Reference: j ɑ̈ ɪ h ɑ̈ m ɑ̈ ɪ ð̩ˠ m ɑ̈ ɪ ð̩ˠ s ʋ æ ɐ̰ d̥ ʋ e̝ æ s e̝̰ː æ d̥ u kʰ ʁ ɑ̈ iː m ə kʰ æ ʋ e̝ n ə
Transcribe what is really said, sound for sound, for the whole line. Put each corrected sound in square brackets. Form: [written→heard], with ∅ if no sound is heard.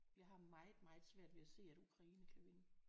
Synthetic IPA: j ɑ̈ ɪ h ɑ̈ m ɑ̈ ɪ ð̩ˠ m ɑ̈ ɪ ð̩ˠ s ʋ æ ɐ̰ d̥ ʋ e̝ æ s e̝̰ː æ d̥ u kʰ ʁ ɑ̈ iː [m→n] ə kʰ æ ʋ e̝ n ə